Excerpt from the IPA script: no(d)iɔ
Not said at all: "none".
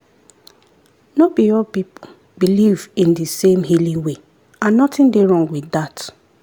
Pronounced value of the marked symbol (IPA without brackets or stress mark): b